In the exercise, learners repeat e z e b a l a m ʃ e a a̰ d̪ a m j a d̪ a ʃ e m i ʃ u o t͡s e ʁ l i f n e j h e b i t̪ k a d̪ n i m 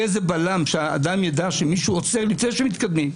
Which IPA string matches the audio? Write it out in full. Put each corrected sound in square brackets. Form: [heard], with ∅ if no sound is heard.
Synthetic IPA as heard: e z e b a l a m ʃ e a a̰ d̪ a m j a d̪ a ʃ e m i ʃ u o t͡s e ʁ l i f n e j [ʃ] e [m] i t̪ k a d̪ [m] i m